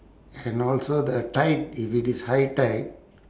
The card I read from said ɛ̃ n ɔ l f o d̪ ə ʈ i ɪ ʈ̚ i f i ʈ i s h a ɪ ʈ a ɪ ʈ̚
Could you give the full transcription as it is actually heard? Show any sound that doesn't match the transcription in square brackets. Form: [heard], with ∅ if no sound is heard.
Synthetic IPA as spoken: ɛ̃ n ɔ l [s] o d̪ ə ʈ [a] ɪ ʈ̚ i f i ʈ i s h a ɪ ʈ a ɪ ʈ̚